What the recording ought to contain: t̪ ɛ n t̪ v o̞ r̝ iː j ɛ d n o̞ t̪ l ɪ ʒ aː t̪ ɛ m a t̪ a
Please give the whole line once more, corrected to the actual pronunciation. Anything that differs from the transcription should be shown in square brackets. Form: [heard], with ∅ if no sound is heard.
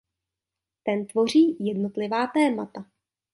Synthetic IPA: t̪ ɛ n t̪ v o̞ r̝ iː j ɛ d n o̞ t̪ l ɪ [v] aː t̪ [ɛː] m a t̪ a